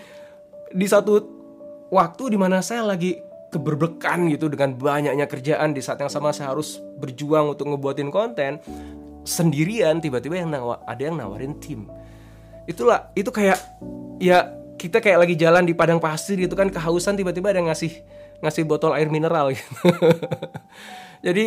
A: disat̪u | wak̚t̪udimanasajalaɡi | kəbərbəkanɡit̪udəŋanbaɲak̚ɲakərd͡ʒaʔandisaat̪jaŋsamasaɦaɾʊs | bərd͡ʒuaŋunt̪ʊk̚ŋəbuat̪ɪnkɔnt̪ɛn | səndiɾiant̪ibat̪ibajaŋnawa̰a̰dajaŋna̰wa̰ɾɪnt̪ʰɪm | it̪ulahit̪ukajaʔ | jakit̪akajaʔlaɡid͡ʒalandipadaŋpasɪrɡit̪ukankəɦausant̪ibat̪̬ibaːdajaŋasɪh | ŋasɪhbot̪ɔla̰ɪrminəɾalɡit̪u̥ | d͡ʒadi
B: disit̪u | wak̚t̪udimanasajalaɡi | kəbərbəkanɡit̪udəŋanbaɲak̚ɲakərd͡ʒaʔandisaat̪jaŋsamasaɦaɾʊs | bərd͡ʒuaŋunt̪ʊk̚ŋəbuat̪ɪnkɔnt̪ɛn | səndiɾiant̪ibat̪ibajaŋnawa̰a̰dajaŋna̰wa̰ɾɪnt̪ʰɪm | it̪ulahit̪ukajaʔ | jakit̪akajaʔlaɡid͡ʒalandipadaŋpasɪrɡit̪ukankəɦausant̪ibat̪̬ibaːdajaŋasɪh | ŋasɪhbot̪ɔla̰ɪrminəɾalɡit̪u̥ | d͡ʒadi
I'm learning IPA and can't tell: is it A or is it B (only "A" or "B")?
A